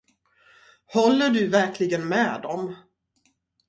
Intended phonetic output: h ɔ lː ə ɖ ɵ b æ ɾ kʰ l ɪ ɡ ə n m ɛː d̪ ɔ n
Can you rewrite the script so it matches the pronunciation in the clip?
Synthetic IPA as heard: h ɔ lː ə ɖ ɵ v æ ɾ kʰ l ɪ ɡ ə n m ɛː d̪ ɔ m